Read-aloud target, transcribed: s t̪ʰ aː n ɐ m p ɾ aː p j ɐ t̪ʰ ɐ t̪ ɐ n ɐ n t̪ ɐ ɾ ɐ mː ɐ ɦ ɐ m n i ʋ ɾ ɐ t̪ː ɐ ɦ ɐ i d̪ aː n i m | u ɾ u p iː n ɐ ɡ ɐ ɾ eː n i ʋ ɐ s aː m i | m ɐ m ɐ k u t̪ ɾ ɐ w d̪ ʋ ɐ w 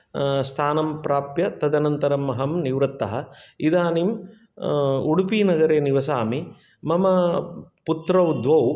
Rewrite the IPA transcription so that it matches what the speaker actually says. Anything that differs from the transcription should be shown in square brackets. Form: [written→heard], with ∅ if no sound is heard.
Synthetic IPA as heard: s t̪ʰ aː n ɐ m p ɾ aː p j ɐ [t̪ʰ→t̪] ɐ [t̪→d̪] ɐ n ɐ n t̪ ɐ ɾ ɐ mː ɐ ɦ ɐ m n i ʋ ɾ ɐ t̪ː ɐ ɦ ɐ i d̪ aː n i m | u [ɾ→ɽ] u p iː n ɐ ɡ ɐ ɾ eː n i ʋ ɐ s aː m i | m ɐ m ɐ [k→p] u t̪ ɾ ɐ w d̪ ʋ ɐ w